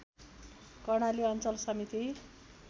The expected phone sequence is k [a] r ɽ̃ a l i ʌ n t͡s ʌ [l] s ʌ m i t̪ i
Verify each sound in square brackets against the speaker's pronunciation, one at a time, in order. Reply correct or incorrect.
incorrect, correct

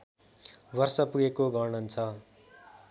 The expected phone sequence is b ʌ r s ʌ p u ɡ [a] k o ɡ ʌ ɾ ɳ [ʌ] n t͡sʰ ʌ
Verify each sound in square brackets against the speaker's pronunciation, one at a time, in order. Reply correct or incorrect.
incorrect, correct

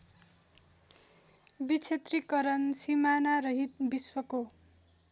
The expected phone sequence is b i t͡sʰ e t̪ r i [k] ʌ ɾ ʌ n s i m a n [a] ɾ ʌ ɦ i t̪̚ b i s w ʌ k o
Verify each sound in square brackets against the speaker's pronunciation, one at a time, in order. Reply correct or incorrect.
correct, correct

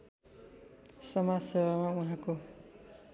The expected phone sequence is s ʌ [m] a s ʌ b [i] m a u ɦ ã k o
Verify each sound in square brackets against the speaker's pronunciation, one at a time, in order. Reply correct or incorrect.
correct, incorrect

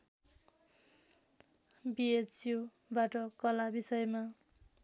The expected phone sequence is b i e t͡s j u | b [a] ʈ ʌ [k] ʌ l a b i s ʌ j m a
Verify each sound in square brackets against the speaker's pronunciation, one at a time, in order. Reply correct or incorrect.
correct, correct

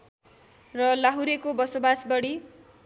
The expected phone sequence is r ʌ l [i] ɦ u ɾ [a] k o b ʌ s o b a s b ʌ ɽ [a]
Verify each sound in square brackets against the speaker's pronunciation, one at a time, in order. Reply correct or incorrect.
incorrect, incorrect, incorrect

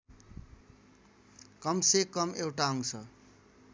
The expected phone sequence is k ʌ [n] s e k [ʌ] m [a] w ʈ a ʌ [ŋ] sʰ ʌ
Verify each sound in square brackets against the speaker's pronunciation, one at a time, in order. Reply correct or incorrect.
incorrect, correct, incorrect, correct

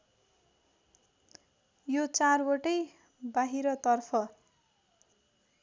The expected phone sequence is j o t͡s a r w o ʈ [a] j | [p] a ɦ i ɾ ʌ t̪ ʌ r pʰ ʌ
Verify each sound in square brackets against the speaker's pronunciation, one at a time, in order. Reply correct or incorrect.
incorrect, incorrect

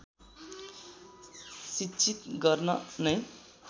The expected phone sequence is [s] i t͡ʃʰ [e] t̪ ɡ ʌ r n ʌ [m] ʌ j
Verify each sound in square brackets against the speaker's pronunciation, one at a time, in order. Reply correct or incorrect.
correct, incorrect, incorrect

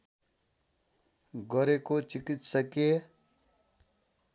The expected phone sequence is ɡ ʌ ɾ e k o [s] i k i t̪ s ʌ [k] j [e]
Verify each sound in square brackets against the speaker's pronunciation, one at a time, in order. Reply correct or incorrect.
incorrect, correct, correct

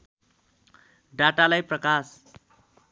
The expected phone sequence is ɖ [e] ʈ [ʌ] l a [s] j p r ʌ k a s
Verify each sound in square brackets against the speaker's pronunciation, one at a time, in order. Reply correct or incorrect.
incorrect, incorrect, incorrect

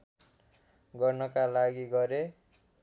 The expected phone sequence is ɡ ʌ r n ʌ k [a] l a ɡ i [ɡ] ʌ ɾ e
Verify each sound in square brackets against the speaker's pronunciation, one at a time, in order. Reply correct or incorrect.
correct, correct

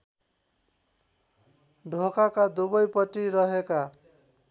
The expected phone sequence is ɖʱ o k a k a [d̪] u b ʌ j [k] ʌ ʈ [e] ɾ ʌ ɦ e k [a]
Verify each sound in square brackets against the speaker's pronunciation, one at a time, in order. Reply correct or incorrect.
correct, incorrect, incorrect, correct

